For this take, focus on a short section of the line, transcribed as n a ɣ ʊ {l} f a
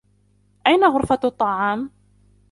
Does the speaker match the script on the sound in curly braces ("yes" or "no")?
no